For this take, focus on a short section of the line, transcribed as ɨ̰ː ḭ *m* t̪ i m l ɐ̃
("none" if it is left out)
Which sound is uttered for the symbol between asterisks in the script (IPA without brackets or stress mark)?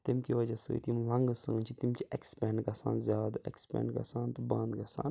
none